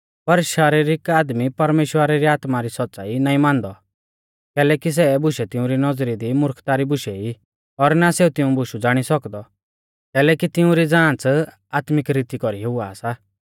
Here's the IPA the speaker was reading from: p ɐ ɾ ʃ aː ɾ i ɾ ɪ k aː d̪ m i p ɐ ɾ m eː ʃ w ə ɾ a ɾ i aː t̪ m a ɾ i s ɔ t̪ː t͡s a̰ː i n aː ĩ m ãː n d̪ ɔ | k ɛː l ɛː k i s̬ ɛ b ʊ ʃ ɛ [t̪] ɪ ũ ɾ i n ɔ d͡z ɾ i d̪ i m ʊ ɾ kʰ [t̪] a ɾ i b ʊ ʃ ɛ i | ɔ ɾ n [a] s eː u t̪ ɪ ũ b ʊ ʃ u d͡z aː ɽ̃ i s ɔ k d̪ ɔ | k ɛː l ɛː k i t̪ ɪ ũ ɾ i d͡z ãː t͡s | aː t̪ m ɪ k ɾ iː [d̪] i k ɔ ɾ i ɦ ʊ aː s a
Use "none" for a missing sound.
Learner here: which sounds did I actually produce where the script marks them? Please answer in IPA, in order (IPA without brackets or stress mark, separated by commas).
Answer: t̪, t̪, a, t̪